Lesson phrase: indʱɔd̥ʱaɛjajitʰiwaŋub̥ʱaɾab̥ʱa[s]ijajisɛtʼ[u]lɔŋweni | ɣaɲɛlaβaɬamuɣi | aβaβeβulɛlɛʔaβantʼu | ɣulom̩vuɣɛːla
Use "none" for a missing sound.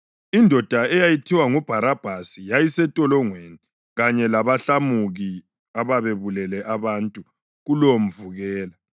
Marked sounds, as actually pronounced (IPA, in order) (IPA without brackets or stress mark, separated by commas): s, ɔ